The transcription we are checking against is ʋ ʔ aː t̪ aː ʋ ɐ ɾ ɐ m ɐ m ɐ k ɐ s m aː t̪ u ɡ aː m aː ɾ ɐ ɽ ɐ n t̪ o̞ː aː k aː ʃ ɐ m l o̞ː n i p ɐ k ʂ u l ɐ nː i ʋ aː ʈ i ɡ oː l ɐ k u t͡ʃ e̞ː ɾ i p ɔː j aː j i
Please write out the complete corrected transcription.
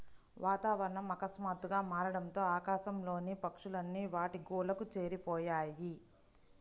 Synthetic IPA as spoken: ʋ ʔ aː t̪ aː ʋ ɐ ɾ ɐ ɳ ɐ m ɐ k ɐ s m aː t̪ u ɡ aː m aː ɾ ɐ ɽ ɐ n t̪ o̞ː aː k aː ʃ ɐ m l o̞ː n i p ɐ k ʂ u l ɐ nː i ʋ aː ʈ i ɡ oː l ɐ k u t͡ʃ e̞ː ɾ i p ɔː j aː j i